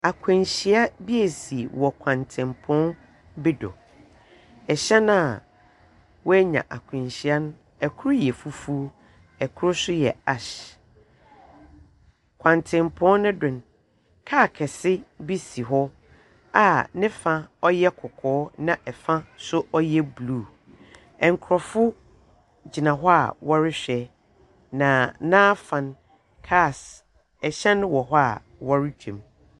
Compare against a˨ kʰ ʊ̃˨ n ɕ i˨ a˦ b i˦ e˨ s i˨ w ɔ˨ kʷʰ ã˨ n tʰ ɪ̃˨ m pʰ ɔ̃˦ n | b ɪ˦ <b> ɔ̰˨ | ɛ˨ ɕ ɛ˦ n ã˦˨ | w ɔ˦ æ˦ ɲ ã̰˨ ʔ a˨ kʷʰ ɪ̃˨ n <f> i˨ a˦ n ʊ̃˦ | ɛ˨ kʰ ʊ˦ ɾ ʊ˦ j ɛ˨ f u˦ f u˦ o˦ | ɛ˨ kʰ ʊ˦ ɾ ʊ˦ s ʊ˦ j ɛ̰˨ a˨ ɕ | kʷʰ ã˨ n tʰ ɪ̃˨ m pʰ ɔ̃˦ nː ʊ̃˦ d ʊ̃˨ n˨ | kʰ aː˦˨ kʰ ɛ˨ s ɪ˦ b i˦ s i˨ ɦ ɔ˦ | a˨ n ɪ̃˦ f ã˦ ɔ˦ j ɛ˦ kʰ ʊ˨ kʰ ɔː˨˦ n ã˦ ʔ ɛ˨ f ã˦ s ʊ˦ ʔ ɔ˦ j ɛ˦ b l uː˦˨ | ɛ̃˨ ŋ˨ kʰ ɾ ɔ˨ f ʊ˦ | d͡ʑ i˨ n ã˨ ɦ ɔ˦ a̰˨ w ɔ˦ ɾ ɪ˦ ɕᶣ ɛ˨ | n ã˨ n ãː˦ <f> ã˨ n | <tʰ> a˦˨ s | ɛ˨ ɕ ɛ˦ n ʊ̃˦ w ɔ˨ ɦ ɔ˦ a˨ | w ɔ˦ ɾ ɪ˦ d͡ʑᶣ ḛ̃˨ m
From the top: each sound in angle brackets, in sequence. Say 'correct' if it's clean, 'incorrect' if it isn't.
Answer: incorrect: d, incorrect: ɕ, correct, incorrect: kʰ

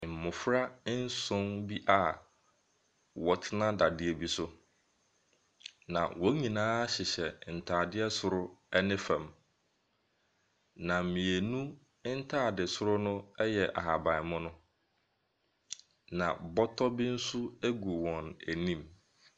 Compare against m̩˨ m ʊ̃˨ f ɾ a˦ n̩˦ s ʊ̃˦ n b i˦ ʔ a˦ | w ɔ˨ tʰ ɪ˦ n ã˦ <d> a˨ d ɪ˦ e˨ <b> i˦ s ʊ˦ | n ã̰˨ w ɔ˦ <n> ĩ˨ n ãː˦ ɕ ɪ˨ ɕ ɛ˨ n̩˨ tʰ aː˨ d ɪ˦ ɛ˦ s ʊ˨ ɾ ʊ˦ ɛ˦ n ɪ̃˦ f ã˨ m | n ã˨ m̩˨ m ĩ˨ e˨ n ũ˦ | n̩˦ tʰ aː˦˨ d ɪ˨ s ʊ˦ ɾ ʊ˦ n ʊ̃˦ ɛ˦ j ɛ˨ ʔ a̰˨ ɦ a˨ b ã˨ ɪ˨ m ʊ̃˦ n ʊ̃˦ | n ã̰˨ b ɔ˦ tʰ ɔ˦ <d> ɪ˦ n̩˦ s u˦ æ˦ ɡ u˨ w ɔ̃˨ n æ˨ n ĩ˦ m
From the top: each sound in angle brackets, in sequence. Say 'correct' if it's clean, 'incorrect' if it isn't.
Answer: correct, correct, incorrect: ɲ, incorrect: b

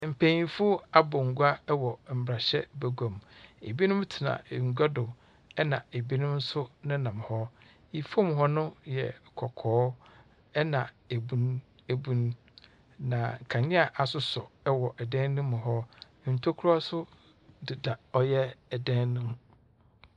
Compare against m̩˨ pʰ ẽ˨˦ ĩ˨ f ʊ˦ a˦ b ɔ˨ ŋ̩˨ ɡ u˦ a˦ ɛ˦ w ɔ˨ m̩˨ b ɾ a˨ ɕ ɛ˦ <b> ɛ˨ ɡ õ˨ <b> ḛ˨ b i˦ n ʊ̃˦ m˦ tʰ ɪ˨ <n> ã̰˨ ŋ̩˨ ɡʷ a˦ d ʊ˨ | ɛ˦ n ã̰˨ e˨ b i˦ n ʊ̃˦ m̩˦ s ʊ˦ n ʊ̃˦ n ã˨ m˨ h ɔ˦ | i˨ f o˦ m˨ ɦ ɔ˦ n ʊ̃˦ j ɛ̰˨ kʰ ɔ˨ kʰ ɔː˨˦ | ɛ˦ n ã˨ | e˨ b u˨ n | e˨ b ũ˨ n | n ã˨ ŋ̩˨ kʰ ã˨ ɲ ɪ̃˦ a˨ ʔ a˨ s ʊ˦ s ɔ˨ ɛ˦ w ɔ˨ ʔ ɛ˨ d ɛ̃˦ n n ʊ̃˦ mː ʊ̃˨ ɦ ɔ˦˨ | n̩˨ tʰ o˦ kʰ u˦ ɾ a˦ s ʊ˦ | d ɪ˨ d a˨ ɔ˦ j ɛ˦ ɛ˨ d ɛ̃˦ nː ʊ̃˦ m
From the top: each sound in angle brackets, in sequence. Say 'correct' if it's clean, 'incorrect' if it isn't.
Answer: correct, incorrect: m, correct

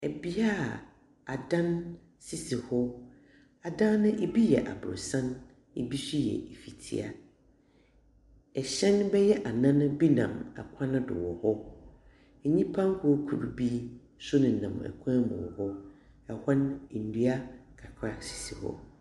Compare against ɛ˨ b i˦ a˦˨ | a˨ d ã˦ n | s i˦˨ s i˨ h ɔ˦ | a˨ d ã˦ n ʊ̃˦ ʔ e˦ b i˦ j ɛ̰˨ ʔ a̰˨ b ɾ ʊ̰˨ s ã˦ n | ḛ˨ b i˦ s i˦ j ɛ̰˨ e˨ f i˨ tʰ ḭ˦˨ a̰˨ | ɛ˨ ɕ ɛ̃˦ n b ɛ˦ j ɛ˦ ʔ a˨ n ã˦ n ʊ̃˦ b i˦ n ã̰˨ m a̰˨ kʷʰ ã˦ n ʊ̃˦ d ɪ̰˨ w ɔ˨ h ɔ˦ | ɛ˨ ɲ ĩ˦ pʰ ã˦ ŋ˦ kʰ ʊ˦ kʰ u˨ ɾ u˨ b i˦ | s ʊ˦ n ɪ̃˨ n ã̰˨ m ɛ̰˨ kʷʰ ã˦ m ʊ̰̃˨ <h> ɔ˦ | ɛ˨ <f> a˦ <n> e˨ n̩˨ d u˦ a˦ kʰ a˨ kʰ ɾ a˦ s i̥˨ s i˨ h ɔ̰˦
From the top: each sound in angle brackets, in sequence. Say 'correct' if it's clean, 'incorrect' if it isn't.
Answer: correct, incorrect: h, correct

